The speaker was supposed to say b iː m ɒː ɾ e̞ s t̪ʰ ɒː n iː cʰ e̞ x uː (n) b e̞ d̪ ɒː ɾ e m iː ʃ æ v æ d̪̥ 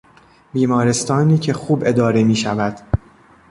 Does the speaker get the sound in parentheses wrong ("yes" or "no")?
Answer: yes